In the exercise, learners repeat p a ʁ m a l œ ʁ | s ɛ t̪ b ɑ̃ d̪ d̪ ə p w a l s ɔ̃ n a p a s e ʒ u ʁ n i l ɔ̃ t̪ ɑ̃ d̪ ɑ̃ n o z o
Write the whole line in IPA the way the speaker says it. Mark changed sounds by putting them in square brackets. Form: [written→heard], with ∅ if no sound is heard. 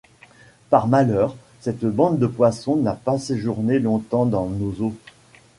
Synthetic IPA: p a ʁ m a l œ ʁ | s ɛ t̪ b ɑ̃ d̪ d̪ ə p w a [l→∅] s ɔ̃ n a p a s e ʒ u ʁ n [i→e] l ɔ̃ t̪ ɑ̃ d̪ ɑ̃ n o z o